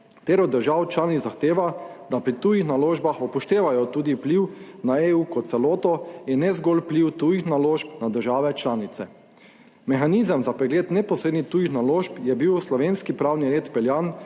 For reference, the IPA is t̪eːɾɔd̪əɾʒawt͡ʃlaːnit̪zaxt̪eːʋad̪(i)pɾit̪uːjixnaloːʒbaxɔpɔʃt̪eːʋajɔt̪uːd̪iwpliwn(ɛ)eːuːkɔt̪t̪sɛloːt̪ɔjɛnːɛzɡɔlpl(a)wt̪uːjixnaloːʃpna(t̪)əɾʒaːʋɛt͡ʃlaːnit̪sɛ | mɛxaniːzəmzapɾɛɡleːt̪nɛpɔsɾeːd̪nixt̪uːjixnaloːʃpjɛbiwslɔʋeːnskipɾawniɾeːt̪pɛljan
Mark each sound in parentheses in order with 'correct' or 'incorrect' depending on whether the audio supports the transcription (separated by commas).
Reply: incorrect, incorrect, incorrect, incorrect